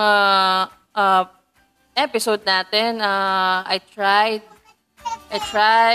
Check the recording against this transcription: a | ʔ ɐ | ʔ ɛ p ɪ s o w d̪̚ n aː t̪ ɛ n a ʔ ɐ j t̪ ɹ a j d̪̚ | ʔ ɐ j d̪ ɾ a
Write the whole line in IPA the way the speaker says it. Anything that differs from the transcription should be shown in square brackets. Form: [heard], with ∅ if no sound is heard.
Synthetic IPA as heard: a | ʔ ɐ | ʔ ɛ p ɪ s o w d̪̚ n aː t̪ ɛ n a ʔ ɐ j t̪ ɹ a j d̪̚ | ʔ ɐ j [t̪] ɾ a